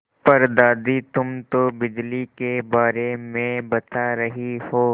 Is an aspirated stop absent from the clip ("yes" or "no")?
yes